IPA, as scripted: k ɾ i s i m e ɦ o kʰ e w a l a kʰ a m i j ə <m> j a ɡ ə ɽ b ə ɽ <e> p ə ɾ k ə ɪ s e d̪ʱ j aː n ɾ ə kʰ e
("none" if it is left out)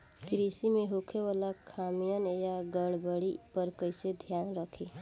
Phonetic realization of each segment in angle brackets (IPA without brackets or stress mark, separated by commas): n, i